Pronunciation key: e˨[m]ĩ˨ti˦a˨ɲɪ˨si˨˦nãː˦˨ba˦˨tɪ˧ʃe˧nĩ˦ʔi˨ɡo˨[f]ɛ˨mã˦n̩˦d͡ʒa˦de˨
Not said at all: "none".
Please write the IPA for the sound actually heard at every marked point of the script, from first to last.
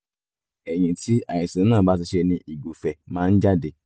ɲ, f

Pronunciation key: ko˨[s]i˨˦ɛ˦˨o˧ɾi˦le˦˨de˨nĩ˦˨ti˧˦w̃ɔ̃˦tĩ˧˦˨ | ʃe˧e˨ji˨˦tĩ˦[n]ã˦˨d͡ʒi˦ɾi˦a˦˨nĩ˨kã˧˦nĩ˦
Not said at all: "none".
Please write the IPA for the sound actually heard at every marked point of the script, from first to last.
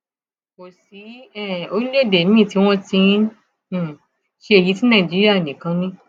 s, n

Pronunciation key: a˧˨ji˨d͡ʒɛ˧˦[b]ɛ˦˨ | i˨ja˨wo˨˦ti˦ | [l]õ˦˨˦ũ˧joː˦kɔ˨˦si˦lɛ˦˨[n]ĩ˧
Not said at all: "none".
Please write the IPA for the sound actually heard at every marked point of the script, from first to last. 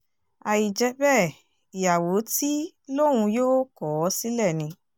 b, l, n

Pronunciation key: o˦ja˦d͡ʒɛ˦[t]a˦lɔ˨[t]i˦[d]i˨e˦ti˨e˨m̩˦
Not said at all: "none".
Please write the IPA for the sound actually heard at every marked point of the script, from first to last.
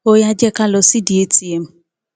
k, s, d

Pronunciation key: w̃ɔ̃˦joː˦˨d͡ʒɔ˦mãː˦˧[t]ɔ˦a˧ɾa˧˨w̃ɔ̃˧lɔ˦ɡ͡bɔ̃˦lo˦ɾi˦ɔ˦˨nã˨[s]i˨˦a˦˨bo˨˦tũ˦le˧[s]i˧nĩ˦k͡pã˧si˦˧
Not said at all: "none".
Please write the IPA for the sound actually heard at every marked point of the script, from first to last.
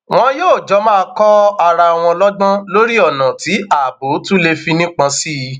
k, t, f

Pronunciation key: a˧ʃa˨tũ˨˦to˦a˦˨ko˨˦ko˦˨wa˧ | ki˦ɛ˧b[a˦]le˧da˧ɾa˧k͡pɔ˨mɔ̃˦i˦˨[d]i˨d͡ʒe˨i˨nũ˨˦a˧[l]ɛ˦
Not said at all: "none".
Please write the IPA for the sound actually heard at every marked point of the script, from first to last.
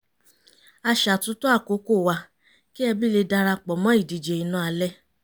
i˦, d, l

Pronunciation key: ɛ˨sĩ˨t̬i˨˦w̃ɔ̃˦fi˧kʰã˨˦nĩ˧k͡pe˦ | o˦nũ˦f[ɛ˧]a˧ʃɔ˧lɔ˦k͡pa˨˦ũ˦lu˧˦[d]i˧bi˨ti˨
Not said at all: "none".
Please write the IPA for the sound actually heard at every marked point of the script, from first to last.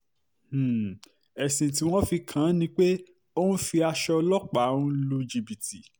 i˧, d͡ʒ

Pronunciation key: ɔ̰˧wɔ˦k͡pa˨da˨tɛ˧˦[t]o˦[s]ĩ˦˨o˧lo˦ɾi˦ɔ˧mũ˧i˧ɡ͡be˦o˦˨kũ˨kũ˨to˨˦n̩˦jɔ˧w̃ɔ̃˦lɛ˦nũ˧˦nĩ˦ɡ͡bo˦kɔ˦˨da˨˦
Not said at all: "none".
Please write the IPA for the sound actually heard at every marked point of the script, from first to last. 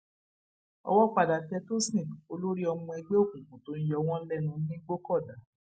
t, s

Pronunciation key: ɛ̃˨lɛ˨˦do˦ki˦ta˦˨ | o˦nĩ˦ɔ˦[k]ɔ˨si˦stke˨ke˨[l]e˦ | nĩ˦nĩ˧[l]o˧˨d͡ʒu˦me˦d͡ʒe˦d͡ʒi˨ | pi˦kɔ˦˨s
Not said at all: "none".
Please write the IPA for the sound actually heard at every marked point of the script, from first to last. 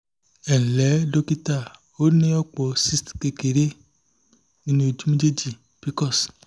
k͡p, ɾ, none

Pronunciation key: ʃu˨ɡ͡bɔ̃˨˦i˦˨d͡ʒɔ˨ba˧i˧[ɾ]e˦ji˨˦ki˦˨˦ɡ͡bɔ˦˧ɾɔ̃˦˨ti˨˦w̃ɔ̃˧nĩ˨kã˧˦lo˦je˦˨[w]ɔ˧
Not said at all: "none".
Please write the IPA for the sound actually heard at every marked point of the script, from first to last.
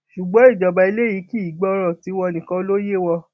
l, w

